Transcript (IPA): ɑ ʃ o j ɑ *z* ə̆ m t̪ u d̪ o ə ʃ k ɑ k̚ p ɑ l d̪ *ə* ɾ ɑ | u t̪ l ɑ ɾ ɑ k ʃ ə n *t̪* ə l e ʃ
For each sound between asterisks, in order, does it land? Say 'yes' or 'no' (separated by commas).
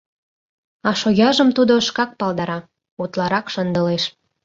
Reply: no, no, no